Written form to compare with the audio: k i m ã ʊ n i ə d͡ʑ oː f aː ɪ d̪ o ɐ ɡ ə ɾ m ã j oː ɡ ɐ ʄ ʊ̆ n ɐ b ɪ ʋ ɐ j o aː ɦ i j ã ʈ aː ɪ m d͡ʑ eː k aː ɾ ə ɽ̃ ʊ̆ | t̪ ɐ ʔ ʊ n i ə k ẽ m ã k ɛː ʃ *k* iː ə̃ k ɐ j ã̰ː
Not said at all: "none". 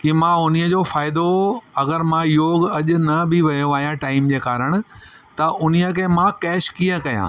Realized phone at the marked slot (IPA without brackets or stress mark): k